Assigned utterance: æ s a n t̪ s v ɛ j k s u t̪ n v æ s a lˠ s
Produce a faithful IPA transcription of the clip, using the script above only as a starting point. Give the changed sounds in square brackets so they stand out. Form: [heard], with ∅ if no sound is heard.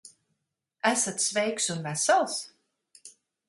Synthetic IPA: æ s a [∅] t̪ s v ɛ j k s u [∅] n v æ s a lˠ s